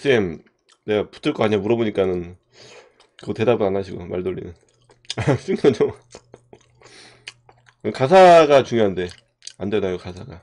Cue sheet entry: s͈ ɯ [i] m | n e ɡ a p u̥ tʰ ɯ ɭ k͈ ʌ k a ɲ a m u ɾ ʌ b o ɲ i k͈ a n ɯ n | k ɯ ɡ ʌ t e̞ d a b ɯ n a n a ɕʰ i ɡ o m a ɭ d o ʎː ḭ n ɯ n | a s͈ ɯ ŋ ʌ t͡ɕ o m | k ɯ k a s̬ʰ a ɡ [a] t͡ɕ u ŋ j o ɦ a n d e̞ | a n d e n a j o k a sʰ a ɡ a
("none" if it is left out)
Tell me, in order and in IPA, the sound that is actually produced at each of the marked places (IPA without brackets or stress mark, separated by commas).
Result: e, a